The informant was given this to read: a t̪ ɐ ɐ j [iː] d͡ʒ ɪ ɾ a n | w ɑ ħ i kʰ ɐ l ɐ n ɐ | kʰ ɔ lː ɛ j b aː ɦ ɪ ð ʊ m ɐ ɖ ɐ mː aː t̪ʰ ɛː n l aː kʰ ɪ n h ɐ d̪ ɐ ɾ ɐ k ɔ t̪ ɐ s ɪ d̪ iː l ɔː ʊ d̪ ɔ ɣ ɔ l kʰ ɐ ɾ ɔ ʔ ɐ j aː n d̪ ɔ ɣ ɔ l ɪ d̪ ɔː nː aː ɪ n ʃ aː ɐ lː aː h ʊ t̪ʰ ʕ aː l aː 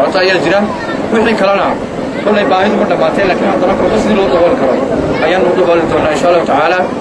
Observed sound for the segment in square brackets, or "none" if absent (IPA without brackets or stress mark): aː